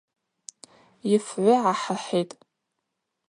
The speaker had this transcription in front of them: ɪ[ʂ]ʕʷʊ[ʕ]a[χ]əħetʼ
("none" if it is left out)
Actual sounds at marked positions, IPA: f, ʕ, ħ

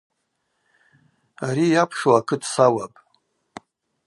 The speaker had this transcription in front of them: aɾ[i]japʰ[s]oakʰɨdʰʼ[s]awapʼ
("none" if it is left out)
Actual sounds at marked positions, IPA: i, ʂ, s

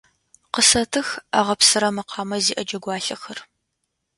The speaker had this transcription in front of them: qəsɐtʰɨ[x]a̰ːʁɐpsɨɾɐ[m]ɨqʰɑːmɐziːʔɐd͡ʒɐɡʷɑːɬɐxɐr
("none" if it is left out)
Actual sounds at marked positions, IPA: x, m

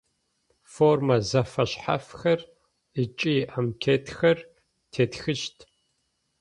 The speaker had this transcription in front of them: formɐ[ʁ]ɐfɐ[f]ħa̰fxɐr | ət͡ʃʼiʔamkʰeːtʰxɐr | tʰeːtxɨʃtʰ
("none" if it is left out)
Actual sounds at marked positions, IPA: z, ɕ

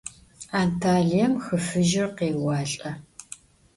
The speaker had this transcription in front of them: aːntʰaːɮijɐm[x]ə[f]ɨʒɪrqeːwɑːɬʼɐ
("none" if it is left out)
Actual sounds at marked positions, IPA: x, f

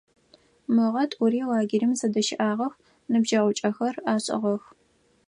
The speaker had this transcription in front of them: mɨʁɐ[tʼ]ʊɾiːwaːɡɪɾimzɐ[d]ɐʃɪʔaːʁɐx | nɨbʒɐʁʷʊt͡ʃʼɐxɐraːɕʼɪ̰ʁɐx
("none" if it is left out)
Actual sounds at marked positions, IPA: tʼ, d

